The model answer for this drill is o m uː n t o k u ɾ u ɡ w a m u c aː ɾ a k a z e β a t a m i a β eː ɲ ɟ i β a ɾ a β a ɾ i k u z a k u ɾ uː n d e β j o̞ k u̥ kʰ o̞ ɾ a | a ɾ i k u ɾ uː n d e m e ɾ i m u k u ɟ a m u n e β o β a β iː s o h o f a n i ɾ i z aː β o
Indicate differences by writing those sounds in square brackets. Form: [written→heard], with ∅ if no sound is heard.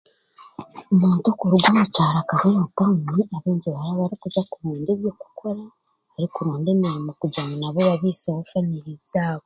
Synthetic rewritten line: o m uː n t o k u ɾ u ɡ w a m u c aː ɾ a k a z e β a t a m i a β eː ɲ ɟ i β a ɾ a β a ɾ i k u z a k u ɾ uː n d e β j o̞ k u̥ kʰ o̞ ɾ a | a ɾ i k u ɾ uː n d e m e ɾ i m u k u ɟ a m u n [e→a] β o β a β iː s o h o f a n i ɾ i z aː β o